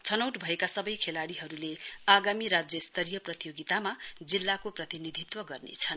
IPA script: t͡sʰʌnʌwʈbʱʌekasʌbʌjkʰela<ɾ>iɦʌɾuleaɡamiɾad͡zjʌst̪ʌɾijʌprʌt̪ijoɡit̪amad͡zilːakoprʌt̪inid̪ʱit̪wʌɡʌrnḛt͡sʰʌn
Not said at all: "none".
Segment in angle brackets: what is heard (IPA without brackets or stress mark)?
ɽ